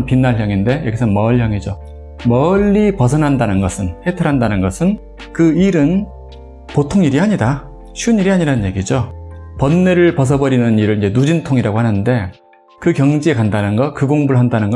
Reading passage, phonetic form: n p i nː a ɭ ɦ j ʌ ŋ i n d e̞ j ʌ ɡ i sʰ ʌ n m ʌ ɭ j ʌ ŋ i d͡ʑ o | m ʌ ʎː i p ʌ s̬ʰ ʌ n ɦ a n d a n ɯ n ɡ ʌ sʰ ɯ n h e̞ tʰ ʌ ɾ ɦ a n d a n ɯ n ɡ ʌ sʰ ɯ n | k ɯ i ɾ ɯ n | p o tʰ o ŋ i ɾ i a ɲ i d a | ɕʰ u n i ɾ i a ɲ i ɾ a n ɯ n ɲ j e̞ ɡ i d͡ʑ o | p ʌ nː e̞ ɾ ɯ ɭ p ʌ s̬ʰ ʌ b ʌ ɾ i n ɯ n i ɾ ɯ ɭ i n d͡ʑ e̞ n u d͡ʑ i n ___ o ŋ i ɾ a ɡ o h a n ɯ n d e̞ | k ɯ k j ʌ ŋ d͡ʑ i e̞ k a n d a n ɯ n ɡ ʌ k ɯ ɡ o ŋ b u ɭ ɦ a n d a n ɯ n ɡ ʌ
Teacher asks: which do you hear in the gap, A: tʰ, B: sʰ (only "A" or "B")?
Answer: A